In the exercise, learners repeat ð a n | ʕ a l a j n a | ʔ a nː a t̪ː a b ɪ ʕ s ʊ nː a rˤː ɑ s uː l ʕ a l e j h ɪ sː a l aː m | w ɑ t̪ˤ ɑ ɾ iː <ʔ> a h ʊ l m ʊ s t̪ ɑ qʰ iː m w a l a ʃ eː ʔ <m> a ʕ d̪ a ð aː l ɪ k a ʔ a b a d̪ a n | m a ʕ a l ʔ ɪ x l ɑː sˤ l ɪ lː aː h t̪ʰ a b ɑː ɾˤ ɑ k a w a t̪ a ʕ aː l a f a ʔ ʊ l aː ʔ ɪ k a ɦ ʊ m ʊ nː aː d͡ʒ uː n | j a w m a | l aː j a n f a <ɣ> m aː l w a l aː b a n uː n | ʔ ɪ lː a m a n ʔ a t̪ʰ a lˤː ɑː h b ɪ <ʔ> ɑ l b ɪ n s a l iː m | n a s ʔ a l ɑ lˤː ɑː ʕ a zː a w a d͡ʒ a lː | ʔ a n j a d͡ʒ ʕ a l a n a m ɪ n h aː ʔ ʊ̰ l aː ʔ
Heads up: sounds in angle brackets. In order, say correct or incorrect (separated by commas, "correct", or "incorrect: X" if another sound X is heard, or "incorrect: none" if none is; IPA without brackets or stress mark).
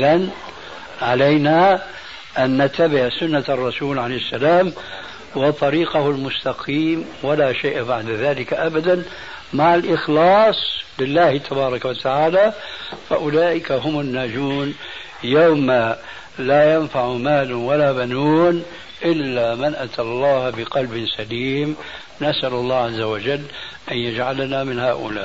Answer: incorrect: q, incorrect: b, incorrect: ʕ, incorrect: q